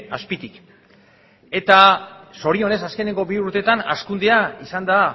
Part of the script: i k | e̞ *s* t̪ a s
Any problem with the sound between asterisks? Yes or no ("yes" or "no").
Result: yes